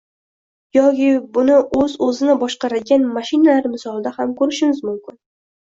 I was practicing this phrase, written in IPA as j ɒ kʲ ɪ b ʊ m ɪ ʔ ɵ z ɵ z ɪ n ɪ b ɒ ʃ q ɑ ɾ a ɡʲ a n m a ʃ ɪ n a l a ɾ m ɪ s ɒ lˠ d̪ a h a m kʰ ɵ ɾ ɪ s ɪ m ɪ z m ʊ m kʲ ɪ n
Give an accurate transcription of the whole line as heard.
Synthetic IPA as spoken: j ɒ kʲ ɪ b ʊ n ɪ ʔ ɵ z ɵ z ɪ n ɪ b ɒ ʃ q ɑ ɾ a ɡʲ a n m a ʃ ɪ n a l a ɾ m ɪ s ɒ lˠ d̪ a h a m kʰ ɵ ɾ ɪ ʃ ɪ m ɪ z m ʊ m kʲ ɪ n

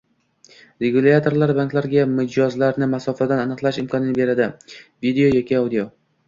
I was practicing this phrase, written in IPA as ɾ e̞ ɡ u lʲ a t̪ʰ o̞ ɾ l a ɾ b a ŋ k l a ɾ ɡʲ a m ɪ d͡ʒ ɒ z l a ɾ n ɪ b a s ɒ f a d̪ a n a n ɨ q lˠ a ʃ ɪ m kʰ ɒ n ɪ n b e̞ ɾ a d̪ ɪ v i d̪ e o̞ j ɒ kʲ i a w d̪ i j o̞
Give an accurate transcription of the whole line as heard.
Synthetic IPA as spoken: ɾ e̞ ɡ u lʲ a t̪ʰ o̞ ɾ l a ɾ b a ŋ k l a ɾ ɡʲ a m ɪ d͡ʒ ɒ z l a ɾ n ɪ m a s ɒ f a d̪ a n a n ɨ q lˠ a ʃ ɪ m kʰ ɒ n ɪ n b e̞ ɾ a d̪ ɪ v i d̪ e o̞ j ɒ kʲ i a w d̪ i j o̞

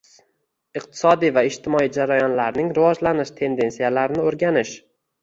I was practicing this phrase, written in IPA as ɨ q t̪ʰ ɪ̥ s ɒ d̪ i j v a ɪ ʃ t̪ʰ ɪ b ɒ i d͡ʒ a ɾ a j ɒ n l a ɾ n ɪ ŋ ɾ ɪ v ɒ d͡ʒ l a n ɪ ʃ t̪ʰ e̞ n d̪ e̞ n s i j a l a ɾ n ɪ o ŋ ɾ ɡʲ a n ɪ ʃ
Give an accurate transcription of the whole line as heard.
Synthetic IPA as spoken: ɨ q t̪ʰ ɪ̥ s ɒ d̪ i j v a ɪ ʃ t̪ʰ ɪ m ɒ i d͡ʒ a ɾ a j ɒ n l a ɾ n ɪ ŋ ɾ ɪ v ɒ d͡ʒ l a n ɪ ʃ t̪ʰ e̞ n d̪ e̞ n s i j a l a ɾ n ɪ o ɾ ɡʲ a n ɪ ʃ

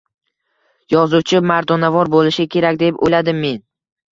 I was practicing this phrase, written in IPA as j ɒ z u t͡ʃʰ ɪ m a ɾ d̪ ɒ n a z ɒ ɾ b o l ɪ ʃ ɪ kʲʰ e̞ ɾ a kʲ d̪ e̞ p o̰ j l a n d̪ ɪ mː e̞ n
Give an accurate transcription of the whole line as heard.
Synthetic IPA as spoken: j ɒ z u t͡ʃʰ ɪ m a ɾ d̪ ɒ n a v ɒ ɾ b o l ɪ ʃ ɪ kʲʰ e̞ ɾ a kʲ d̪ e̞ p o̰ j l a d̪ ɪ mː e̞ n

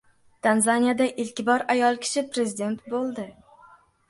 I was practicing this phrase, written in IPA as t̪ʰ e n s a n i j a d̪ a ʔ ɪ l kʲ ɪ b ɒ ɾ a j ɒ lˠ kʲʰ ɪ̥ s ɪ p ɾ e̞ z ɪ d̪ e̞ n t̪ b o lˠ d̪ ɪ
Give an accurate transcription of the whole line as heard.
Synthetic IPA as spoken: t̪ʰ a n z a n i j a d̪ a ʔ ɪ l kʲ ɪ b ɒ ɾ a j ɒ lˠ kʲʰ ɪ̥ ʃ ɪ p ɾ e̞ z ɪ d̪ e̞ n t̪ b o lˠ d̪ ɪ

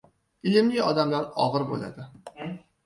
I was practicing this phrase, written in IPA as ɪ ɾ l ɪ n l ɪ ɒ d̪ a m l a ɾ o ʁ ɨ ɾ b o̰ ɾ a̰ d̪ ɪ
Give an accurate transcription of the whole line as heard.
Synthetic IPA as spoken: ɪ l ɪ m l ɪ ɒ d̪ a m l a ɾ ɒ ʁ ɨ ɾ b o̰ l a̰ d̪ ɪ

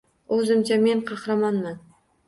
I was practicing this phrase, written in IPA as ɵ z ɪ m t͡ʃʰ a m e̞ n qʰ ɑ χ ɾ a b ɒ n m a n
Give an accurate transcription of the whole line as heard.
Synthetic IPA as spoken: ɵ z ɪ m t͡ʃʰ a m e̞ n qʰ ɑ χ ɾ a m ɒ n m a n

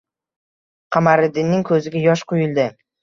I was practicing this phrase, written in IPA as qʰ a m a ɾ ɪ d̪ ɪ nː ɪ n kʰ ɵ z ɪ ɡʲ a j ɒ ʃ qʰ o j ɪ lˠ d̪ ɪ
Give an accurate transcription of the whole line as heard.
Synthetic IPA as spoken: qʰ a m a ɾ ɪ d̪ ɪ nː ɪ ŋ kʰ ɵ z ɪ ɡʲ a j ɒ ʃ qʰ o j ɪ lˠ d̪ ɪ

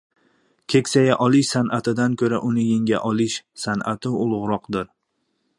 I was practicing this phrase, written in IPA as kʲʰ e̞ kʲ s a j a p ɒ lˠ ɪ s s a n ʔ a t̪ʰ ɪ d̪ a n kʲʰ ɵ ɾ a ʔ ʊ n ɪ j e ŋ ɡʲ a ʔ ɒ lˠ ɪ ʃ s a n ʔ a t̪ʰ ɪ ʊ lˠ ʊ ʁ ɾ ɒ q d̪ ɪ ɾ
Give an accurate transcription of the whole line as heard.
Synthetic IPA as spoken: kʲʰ e̞ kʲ s a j a ʔ ɒ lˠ ɪ ʃ s a n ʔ a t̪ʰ ɪ d̪ a n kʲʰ ɵ ɾ a ʔ ʊ n ɪ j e ŋ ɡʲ a ʔ ɒ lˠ ɪ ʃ s a n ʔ a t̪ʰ ɪ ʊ lˠ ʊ ʁ ɾ ɒ q d̪ ɪ ɾ

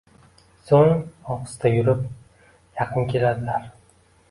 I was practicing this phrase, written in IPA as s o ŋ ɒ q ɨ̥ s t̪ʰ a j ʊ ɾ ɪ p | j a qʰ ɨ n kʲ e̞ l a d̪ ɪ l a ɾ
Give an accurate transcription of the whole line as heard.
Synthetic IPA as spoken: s o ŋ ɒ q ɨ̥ s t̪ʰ a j ʊ ɾ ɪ p | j ɑ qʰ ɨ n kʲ e̞ l a d̪ ɪ l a ɾ

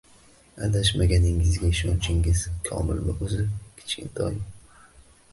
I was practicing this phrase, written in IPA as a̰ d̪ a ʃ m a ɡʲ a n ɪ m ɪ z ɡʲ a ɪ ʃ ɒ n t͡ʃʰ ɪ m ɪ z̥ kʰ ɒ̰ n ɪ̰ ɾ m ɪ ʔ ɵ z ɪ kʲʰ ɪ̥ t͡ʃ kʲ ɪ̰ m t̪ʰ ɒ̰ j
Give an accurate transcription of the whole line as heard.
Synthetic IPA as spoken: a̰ d̪ a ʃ m a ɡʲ a n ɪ ŋ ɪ z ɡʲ a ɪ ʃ ɒ n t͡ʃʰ ɪ ŋ ɪ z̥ kʰ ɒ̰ m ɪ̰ l m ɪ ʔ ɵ z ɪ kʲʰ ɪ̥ t͡ʃ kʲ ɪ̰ n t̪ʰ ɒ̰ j

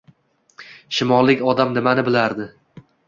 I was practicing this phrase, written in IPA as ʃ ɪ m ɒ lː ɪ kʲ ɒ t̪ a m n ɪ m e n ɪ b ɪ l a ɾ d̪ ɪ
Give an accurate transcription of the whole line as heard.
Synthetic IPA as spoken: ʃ ɪ m ɒ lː ɪ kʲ ɒ d̪ a m n ɪ m a n ɪ b ɪ l a ɾ d̪ ɪ

